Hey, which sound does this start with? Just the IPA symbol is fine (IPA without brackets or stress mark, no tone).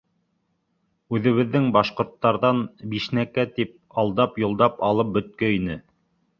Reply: ʉ